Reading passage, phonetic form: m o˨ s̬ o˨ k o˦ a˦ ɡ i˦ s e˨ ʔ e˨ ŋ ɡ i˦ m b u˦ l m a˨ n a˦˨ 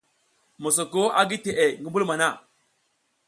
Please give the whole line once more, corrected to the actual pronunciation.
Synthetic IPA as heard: m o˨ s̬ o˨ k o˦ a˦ ɡ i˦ t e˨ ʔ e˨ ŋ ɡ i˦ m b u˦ l m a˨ n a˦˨